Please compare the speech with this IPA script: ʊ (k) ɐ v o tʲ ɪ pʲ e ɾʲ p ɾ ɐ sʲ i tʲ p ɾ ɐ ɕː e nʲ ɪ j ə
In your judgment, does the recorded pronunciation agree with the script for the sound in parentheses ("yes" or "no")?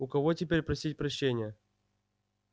yes